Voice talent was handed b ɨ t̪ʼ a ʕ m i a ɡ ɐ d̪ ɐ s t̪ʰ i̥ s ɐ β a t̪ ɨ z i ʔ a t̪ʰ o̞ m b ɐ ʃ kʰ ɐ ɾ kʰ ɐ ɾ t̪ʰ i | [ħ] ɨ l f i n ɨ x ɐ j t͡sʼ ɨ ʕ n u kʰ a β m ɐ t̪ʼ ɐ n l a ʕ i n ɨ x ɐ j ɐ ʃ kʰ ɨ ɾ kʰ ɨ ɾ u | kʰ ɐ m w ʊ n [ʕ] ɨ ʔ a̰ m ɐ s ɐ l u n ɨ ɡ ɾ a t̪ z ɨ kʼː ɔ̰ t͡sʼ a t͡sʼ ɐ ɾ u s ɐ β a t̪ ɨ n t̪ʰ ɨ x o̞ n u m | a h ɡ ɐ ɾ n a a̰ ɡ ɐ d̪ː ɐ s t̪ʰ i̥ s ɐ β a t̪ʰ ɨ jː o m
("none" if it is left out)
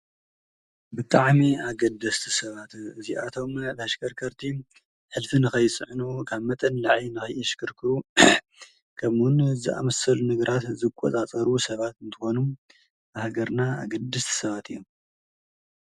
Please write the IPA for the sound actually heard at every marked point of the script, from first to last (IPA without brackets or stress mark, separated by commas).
ħ, z